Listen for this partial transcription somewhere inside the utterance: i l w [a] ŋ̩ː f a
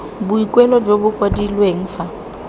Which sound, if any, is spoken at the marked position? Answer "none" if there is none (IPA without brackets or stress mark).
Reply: e